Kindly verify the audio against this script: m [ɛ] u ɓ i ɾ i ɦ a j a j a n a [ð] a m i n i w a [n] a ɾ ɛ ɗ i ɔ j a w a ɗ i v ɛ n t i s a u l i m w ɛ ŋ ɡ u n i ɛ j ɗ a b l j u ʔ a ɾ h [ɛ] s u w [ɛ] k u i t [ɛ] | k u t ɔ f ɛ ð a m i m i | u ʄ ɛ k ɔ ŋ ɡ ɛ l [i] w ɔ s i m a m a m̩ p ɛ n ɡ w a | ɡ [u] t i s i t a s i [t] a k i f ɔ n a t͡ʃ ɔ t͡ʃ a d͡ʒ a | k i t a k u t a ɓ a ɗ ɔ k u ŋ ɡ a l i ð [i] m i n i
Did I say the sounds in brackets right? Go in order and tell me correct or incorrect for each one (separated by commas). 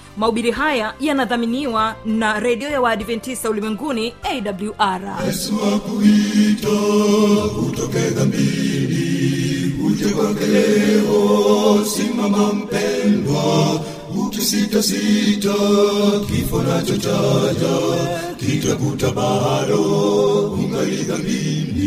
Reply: incorrect, correct, correct, correct, incorrect, incorrect, incorrect, correct, correct, incorrect